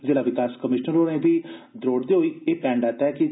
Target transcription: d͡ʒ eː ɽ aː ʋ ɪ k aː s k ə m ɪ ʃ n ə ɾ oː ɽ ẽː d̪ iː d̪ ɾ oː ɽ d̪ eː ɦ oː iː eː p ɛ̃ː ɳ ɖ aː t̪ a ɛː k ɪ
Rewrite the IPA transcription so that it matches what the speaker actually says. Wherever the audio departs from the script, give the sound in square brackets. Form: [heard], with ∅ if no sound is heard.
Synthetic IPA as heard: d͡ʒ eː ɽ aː ʋ ɪ k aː s k ə m ɪ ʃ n ə ɾ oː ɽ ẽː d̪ iː d̪ ɾ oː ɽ d̪ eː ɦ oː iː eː p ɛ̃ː ɳ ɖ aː t̪ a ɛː k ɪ